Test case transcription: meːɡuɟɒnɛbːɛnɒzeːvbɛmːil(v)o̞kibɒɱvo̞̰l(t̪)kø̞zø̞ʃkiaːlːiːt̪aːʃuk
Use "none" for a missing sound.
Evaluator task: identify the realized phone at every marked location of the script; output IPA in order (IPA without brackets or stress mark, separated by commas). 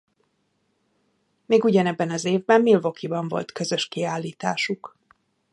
v, t̪